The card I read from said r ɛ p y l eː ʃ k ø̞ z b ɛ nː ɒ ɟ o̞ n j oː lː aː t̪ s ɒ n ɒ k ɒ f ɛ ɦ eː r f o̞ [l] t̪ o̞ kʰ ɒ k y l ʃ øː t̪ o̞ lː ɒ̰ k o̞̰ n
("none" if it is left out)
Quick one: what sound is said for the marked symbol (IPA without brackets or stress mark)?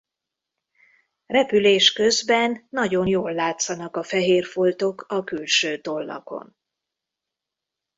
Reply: l